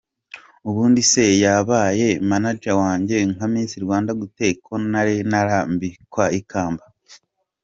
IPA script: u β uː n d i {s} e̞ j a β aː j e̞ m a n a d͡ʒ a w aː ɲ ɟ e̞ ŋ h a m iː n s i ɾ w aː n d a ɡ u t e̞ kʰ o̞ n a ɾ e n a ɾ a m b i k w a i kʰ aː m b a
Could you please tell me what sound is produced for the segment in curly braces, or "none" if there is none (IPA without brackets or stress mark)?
s